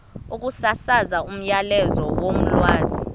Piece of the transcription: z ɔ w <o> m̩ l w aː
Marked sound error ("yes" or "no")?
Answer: no